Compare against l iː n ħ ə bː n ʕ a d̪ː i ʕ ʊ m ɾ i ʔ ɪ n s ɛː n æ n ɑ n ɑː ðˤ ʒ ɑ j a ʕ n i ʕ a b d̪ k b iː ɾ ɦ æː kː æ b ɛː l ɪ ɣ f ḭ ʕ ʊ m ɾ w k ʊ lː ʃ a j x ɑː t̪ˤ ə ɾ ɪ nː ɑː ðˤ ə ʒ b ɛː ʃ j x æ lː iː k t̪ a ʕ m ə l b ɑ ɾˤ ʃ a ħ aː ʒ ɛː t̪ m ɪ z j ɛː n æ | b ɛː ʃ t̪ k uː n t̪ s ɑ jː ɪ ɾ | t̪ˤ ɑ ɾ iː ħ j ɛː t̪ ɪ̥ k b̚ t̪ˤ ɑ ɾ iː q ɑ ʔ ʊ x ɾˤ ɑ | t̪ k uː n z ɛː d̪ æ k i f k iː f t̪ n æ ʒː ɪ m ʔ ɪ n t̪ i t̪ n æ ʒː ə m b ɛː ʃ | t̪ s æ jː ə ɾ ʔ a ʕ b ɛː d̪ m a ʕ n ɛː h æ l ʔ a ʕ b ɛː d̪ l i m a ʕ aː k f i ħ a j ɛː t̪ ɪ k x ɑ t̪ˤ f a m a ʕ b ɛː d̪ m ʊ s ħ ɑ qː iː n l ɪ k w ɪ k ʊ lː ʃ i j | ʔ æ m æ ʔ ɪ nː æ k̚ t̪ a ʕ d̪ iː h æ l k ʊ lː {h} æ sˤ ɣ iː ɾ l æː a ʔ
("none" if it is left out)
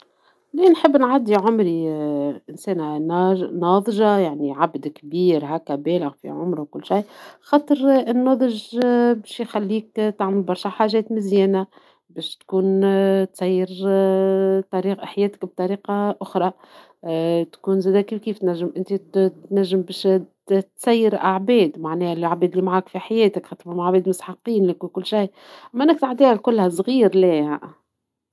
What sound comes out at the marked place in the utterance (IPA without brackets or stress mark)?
h